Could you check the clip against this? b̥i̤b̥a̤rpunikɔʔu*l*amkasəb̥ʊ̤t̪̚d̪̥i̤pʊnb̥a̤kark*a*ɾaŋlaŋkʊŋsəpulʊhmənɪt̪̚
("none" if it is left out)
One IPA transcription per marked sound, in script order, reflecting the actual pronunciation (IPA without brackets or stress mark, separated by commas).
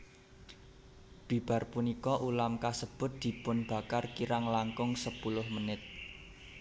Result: l, i